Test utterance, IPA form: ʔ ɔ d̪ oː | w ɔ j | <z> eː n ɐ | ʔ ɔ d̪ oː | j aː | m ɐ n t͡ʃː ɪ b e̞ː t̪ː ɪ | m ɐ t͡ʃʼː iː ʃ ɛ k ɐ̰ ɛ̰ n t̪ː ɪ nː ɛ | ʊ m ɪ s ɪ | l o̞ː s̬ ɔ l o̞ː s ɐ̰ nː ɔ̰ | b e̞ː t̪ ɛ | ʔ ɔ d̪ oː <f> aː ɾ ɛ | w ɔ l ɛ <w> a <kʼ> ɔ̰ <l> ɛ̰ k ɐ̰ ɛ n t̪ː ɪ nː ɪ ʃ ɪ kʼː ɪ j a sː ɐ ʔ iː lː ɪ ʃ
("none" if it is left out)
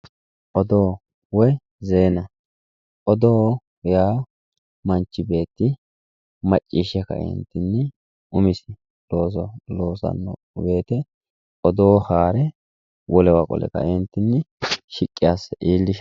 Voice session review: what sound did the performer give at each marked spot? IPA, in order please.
z, h, w, kʼ, l

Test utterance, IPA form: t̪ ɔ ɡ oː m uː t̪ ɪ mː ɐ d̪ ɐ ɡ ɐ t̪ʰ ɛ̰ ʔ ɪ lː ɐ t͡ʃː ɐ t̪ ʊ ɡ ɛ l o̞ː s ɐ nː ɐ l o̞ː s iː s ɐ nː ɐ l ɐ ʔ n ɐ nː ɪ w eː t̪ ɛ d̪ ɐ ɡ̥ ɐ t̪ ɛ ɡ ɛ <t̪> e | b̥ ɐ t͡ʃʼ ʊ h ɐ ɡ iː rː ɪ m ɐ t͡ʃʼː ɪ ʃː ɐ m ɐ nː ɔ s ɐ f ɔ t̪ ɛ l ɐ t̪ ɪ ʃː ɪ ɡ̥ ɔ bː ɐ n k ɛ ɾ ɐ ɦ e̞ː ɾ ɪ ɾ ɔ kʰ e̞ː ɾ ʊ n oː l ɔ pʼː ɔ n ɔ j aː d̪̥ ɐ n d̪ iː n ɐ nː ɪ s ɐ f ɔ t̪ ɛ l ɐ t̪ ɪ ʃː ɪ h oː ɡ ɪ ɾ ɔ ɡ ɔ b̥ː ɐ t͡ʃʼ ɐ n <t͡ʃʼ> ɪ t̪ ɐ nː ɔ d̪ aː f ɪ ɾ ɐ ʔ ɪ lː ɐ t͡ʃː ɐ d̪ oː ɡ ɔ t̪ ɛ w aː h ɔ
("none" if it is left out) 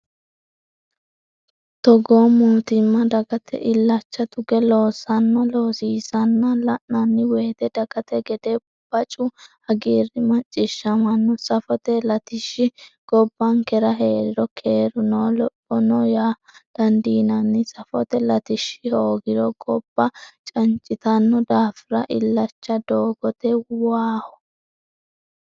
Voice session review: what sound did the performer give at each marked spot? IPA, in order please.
d̪, t͡ʃʼ

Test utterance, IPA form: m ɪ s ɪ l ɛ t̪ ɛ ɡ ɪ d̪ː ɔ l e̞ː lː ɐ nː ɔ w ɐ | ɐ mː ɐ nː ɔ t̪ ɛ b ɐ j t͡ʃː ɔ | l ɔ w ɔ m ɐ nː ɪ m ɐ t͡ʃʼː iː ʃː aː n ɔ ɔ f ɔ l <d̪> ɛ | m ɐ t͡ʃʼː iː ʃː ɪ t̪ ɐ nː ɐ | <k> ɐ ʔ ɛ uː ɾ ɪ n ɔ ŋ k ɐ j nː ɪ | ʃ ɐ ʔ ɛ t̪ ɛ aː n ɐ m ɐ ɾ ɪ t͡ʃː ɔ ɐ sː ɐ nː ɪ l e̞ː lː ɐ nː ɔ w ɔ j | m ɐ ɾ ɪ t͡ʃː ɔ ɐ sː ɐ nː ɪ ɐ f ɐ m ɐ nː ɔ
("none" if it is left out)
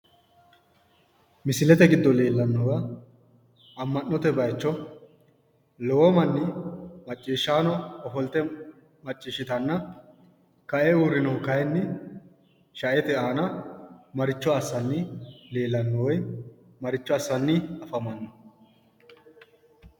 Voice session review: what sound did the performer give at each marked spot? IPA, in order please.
t̪, k

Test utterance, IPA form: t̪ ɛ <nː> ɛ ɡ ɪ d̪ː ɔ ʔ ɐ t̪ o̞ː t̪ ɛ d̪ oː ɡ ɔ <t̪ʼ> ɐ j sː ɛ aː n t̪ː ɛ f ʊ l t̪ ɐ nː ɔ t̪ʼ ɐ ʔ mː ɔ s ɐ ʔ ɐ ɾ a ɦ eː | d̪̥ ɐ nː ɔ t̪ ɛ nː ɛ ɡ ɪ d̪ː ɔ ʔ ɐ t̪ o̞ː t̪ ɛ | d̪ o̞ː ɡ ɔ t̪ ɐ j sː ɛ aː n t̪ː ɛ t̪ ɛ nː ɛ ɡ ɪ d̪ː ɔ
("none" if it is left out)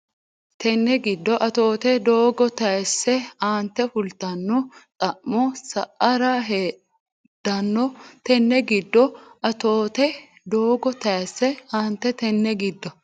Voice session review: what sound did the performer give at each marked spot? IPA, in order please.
nː, t̪

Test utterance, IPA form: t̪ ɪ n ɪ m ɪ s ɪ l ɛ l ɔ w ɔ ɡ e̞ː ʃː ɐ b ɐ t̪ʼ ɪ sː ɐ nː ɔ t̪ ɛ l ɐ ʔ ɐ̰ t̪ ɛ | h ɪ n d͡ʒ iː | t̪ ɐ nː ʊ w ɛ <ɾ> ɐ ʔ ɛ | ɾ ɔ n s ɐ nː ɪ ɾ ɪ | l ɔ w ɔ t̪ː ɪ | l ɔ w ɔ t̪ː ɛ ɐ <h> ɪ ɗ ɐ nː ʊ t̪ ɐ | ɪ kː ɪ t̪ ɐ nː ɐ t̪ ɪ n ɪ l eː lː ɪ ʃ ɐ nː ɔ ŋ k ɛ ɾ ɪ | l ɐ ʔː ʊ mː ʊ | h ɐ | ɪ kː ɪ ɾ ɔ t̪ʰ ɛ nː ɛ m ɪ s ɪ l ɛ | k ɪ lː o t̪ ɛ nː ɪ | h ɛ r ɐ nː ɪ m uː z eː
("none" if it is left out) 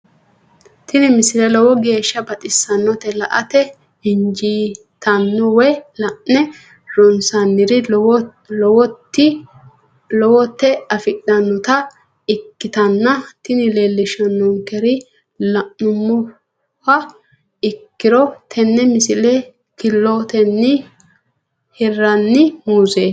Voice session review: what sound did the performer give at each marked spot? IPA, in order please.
l, f

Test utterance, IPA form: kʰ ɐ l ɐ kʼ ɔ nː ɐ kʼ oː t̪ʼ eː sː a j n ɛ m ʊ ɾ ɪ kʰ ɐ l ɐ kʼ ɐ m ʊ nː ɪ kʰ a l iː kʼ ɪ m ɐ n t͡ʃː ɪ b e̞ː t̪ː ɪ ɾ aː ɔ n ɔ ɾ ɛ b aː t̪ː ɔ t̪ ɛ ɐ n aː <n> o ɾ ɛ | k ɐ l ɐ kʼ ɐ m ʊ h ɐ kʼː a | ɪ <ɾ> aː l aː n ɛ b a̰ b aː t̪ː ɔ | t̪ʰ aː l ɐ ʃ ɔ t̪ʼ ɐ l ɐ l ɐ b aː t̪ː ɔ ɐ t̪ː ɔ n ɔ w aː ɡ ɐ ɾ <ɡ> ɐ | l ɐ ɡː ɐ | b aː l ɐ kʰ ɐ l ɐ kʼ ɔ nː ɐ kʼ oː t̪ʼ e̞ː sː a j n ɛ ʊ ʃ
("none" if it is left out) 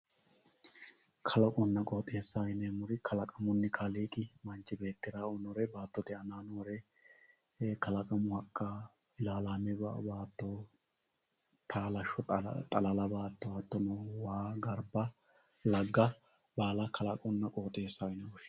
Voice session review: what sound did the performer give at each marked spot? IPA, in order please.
n, l, b

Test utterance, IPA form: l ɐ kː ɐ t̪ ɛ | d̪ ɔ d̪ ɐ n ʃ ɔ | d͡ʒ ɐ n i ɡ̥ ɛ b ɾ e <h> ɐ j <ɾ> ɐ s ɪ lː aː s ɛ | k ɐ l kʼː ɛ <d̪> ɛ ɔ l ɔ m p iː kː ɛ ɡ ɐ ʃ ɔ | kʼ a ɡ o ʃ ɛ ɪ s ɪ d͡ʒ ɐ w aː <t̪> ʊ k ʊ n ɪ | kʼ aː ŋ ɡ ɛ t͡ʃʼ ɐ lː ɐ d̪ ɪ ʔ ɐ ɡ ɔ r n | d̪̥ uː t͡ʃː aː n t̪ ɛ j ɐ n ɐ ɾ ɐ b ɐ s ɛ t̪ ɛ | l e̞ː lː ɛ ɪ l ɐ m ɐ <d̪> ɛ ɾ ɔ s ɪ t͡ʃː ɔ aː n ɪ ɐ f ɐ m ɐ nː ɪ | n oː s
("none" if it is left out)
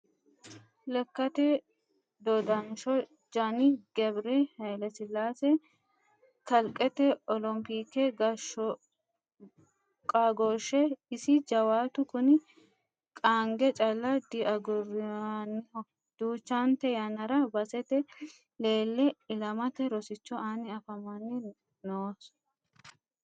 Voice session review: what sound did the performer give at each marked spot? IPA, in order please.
h, l, t̪, t̪, t̪

